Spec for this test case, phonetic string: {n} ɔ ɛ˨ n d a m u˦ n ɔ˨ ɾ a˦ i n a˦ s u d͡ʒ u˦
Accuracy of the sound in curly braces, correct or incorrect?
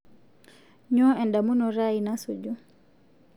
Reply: incorrect